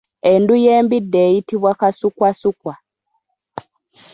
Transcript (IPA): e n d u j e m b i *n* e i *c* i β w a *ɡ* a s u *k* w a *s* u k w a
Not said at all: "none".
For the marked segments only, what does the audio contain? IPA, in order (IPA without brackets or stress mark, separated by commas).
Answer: d, t, k, k, s